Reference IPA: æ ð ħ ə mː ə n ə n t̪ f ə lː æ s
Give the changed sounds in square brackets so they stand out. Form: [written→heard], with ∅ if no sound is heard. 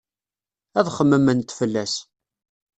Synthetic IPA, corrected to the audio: æ ð [ħ→χ] ə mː ə [n→m] ə n t̪ f ə lː æ s